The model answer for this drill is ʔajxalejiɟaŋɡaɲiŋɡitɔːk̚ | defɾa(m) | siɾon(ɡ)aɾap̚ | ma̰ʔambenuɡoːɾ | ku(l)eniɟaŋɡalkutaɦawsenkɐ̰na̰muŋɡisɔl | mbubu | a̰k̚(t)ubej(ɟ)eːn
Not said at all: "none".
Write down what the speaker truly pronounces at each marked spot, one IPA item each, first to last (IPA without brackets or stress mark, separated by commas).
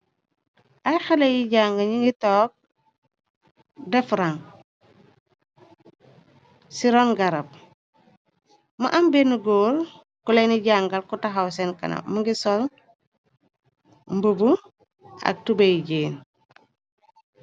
ŋ, ɡ, l, t, ɟ